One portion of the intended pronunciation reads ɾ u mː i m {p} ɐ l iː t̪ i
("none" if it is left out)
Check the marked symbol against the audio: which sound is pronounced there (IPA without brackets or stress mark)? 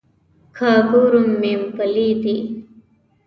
p